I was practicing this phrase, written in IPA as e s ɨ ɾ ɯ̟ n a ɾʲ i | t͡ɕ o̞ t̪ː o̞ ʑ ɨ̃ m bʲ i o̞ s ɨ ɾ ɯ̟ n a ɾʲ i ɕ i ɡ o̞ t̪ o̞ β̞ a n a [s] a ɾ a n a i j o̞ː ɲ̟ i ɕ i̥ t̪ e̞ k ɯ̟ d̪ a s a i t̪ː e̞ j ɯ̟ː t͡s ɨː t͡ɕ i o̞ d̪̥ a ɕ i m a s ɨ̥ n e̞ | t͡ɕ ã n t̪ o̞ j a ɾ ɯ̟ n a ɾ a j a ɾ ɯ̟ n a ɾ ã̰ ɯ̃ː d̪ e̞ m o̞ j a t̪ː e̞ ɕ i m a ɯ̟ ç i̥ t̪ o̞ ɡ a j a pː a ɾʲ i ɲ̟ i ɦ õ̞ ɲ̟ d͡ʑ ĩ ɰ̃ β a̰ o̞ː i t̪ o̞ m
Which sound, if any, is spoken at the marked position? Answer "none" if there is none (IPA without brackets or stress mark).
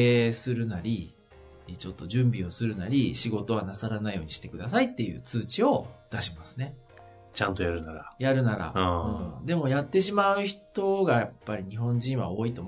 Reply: s